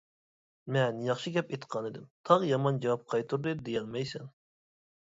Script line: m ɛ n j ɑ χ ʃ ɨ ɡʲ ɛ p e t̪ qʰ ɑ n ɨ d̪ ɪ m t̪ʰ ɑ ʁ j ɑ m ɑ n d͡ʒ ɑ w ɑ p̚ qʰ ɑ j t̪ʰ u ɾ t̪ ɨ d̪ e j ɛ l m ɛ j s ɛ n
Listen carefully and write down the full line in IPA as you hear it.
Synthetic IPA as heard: m ɛ n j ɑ χ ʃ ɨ ɡʲ ɛ p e t̪ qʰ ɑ n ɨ d̪ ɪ m t̪ʰ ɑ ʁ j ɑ m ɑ n d͡ʒ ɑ w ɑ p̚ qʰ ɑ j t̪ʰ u ɾ d̪ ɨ d̪ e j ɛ l m ɛ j s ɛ n